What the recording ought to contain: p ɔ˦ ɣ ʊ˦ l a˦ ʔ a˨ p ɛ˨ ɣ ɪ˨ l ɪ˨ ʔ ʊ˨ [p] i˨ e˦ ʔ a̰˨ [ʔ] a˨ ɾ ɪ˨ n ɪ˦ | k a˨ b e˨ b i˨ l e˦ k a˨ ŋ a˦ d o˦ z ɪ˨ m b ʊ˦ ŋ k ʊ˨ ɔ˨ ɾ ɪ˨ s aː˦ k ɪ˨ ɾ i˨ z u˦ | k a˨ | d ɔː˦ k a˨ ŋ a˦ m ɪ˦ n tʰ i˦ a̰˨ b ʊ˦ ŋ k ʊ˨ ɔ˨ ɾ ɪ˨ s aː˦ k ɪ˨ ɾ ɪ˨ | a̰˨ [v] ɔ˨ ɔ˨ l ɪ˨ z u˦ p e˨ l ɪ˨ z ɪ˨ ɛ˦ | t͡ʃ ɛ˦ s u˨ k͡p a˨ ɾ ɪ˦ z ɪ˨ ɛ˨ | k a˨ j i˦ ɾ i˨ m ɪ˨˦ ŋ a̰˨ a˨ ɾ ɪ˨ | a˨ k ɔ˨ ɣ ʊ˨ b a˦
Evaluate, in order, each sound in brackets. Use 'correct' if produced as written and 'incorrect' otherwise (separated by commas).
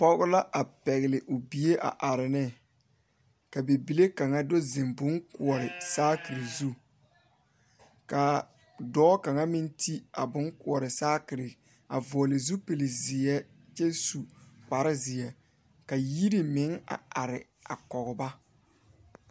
incorrect, correct, correct